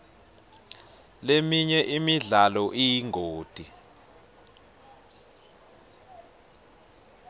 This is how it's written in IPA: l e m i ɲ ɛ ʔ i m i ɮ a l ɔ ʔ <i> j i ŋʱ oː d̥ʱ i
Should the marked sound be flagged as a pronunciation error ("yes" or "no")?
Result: no